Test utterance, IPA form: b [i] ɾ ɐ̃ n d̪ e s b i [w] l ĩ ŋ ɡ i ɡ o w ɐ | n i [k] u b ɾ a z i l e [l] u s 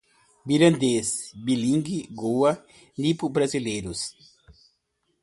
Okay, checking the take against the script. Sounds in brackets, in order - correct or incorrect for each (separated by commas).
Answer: correct, incorrect, incorrect, incorrect